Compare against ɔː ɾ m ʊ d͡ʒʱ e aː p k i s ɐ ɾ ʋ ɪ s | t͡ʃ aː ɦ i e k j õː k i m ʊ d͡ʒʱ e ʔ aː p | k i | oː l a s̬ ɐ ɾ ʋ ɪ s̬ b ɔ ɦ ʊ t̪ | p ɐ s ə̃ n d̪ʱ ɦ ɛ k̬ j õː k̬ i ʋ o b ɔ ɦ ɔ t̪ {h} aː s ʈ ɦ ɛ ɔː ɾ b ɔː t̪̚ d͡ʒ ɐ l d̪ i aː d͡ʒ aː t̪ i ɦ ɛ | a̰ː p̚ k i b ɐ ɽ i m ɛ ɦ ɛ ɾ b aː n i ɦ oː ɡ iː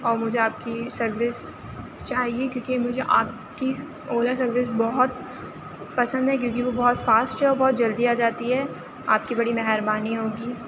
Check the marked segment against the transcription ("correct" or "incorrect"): incorrect